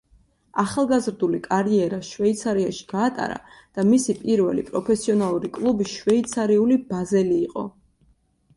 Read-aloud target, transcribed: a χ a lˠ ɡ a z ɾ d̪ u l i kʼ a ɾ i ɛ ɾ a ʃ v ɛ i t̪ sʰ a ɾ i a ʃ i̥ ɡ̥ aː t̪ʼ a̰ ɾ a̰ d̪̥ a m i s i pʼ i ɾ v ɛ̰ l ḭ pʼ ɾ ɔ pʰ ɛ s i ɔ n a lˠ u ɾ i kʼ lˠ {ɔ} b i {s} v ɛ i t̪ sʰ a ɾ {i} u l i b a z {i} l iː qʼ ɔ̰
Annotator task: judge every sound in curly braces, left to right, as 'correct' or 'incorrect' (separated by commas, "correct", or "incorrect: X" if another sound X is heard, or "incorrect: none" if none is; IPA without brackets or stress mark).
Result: incorrect: u, incorrect: ʃ, correct, incorrect: ɛ